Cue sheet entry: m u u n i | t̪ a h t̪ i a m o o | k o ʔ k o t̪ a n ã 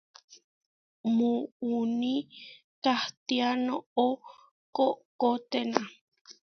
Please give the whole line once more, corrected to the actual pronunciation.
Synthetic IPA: m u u n i | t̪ a h t̪ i a n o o | k o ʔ k o t̪ e n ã